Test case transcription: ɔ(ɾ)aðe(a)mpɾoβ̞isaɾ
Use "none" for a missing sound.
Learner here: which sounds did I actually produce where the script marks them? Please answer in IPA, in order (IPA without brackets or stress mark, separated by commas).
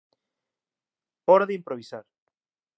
ɾ, i